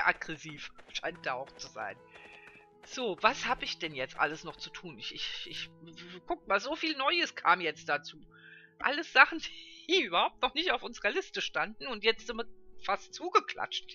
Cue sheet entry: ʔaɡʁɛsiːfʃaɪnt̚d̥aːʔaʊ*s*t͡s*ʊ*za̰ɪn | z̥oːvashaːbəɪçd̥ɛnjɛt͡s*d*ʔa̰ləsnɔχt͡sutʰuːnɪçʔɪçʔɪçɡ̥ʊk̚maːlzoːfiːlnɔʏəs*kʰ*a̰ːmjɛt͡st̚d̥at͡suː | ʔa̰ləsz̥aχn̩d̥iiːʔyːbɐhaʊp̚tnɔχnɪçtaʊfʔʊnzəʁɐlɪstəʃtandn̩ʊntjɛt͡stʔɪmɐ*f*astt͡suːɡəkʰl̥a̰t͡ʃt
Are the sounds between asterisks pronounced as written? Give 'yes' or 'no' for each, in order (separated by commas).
no, no, no, yes, yes